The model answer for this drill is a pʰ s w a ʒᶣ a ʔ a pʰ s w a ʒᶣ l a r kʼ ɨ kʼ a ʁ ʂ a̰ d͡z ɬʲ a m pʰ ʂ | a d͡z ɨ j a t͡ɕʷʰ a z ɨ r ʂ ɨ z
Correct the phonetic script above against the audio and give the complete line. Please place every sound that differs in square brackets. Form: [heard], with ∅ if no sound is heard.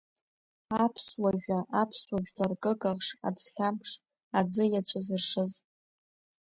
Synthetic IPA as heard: a pʰ s w a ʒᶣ a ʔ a pʰ s w a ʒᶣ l a r kʼ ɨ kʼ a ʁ ʂ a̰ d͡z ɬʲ a m pʰ ʂ | a d͡z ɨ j a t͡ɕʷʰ a z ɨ r ʂ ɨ z